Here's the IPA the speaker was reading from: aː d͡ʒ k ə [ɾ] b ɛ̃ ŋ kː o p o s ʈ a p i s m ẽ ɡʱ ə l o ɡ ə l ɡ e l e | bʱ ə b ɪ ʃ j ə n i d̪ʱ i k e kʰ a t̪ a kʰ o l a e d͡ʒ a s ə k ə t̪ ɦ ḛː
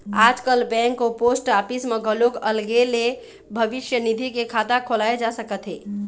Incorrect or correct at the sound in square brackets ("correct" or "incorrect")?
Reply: incorrect